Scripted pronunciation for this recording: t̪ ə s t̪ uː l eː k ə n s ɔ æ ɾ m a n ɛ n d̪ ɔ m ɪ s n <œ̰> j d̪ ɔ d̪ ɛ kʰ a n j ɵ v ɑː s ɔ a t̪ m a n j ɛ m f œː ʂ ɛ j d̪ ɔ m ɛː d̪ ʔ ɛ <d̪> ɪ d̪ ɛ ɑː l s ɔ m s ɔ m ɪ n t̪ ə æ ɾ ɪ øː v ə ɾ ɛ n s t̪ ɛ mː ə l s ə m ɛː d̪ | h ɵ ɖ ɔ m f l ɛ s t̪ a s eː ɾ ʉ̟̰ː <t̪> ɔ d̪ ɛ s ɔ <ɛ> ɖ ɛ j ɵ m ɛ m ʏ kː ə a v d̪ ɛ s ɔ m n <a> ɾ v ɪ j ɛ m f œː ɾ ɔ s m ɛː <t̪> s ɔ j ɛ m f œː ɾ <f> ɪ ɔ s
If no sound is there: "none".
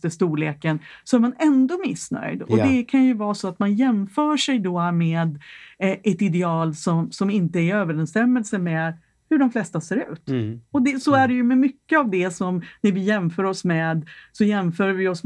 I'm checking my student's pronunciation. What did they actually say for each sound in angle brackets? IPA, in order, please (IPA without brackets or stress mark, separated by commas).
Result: œ̰, t̪, t̪, æ, æ, d̪, v